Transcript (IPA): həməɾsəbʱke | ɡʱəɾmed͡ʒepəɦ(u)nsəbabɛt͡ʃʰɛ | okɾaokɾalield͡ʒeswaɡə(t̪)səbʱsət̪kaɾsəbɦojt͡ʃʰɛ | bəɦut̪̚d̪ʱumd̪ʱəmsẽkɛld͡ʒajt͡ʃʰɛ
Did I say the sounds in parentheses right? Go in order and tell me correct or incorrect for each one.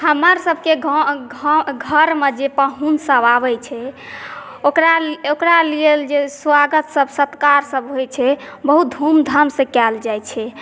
correct, correct

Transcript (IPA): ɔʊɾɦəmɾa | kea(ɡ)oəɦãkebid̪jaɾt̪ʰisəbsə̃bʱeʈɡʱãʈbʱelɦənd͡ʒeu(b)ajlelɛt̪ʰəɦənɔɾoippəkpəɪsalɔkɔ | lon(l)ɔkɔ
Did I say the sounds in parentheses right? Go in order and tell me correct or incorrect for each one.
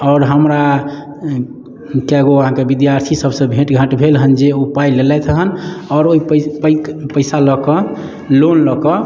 correct, incorrect: p, correct

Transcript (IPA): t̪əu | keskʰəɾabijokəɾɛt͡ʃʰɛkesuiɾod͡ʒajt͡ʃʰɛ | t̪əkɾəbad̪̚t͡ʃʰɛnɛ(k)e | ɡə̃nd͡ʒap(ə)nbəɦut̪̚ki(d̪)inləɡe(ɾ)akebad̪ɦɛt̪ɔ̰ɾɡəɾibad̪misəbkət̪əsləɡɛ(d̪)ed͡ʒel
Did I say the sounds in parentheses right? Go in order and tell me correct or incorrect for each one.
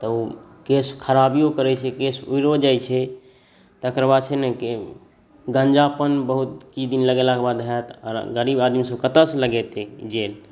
correct, correct, correct, incorrect: l, incorrect: t̪

